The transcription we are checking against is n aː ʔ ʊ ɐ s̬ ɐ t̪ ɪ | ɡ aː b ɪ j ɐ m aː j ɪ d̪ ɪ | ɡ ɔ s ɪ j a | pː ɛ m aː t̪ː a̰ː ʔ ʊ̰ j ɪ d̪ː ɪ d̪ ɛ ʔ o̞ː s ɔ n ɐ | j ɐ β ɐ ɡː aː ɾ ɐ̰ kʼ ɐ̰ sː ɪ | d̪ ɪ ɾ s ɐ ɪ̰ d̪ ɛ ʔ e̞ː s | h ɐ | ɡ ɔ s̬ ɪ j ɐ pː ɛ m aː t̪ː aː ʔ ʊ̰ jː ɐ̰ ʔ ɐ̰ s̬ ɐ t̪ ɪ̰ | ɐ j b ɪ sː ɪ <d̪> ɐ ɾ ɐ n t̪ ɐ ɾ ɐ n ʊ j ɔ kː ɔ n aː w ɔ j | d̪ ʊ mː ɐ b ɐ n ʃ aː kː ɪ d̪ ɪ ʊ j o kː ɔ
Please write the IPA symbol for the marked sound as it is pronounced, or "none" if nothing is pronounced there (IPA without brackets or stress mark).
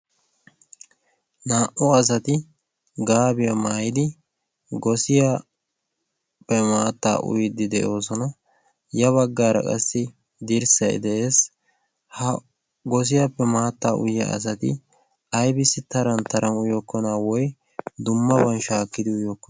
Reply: t̪